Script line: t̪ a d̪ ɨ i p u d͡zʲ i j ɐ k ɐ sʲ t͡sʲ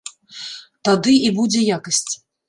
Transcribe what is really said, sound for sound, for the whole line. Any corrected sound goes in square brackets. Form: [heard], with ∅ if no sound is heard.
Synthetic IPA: t̪ a d̪ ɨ i [b] u d͡zʲ [ɛ] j [a] k ɐ sʲ t͡sʲ